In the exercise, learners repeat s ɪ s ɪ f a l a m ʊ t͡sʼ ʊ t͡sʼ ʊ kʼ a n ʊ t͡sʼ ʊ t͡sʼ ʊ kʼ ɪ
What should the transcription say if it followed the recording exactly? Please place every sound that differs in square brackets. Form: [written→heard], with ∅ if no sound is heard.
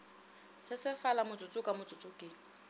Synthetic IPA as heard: s ɪ s ɪ f a l a m ʊ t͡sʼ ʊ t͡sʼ ʊ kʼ a [n→m] ʊ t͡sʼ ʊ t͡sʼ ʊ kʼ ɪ